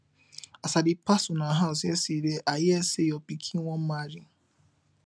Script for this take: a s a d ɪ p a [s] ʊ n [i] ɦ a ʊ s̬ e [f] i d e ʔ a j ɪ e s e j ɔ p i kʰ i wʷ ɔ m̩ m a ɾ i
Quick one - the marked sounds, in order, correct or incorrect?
correct, incorrect: a, incorrect: s

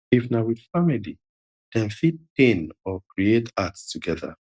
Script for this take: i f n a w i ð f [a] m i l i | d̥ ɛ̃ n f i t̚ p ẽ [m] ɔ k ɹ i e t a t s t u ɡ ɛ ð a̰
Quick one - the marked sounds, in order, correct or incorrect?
correct, incorrect: n

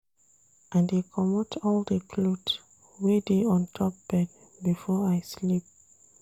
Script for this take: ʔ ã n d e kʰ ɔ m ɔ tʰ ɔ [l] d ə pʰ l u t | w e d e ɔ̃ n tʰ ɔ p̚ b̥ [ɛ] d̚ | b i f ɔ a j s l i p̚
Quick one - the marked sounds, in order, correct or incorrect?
correct, correct

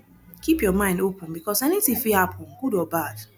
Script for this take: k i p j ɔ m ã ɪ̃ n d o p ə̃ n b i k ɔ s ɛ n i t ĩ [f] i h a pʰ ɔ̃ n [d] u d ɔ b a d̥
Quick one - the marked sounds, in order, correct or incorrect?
correct, incorrect: ɡ

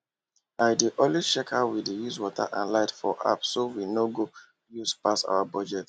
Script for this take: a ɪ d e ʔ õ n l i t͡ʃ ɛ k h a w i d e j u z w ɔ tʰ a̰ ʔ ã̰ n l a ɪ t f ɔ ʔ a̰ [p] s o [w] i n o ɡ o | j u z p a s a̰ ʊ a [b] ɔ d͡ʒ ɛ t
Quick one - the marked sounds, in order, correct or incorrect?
correct, correct, correct

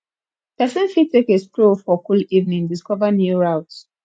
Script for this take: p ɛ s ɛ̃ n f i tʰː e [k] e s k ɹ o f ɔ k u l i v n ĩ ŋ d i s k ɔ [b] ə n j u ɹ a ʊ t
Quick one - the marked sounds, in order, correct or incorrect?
correct, incorrect: v

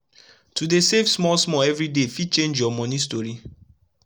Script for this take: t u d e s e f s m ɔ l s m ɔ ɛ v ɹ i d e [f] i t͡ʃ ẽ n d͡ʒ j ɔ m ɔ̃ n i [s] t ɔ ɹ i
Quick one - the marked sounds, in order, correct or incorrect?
correct, correct

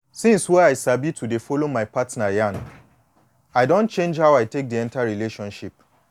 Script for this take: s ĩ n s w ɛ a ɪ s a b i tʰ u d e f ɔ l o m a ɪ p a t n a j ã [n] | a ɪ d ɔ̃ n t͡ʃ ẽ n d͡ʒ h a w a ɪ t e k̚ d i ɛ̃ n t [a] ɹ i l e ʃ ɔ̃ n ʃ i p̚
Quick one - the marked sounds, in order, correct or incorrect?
correct, correct

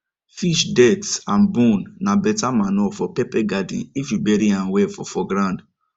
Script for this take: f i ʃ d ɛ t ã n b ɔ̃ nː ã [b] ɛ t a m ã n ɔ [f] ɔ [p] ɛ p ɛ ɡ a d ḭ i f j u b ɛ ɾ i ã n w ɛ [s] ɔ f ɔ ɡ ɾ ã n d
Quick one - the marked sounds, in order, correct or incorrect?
correct, correct, correct, incorrect: f

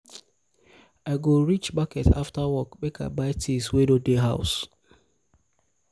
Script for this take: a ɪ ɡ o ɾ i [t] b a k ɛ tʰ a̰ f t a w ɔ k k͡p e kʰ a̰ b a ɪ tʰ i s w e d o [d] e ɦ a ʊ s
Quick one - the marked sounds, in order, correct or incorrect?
incorrect: t͡ʃ, correct

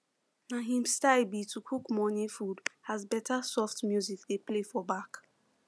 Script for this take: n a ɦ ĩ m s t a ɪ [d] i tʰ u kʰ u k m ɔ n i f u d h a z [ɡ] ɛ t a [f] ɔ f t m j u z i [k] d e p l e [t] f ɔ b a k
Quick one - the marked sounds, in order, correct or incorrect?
incorrect: b, incorrect: b, incorrect: s, correct, incorrect: none

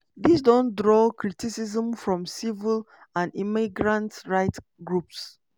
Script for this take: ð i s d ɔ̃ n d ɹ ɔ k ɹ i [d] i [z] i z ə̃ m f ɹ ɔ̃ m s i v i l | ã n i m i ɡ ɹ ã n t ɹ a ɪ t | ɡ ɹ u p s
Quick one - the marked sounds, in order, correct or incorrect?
incorrect: t, incorrect: s

